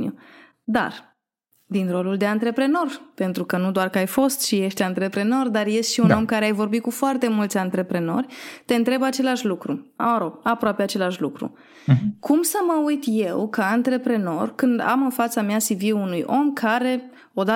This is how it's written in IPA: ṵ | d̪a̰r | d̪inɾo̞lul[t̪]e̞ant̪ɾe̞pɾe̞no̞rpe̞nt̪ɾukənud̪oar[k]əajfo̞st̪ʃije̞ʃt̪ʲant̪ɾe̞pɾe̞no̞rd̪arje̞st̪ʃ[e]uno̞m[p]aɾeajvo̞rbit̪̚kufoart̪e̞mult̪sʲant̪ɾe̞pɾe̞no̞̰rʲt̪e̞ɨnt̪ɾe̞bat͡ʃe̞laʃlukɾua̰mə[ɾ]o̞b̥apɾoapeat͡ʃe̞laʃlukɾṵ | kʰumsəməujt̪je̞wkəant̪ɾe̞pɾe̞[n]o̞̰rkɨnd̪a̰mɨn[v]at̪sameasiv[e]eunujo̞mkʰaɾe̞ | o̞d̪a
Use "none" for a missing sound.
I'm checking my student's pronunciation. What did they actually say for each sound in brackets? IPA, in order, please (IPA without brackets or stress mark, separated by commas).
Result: d̪, k, i, k, ɾ, n, f, i